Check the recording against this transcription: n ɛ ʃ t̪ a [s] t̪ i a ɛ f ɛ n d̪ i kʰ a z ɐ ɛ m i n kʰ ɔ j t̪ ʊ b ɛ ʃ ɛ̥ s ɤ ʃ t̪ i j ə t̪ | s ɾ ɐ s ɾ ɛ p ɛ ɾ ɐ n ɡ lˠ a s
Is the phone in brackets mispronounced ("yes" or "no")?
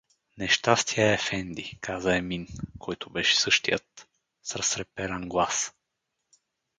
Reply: no